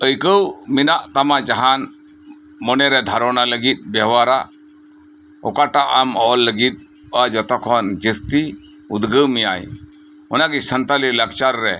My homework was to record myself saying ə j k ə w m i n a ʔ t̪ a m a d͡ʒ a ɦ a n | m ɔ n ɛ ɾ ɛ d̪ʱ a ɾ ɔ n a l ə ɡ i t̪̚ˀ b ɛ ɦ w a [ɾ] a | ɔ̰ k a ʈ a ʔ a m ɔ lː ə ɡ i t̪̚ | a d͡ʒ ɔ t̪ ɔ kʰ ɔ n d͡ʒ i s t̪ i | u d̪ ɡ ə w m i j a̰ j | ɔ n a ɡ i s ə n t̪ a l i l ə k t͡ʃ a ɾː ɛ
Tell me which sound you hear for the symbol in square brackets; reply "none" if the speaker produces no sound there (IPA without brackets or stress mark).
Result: ɾ